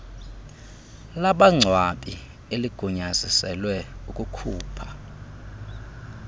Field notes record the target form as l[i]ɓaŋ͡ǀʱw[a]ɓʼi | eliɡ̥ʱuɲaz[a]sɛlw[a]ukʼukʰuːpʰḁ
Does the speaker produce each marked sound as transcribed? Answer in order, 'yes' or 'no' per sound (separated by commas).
no, yes, no, no